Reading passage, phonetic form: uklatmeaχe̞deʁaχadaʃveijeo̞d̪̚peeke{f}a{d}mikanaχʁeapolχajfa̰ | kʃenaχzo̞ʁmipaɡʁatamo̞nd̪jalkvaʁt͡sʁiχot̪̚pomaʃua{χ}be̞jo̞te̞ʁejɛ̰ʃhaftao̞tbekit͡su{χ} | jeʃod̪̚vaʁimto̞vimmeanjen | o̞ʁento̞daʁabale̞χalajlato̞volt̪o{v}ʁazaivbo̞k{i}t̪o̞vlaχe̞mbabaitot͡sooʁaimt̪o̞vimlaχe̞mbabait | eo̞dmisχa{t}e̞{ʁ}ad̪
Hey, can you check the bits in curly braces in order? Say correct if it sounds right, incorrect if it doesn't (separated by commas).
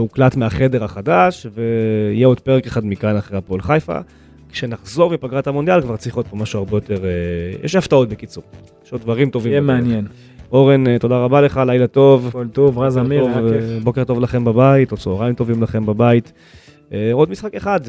incorrect, correct, incorrect, incorrect, correct, incorrect, incorrect, incorrect